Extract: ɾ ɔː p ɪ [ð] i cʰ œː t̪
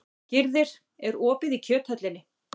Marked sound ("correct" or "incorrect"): correct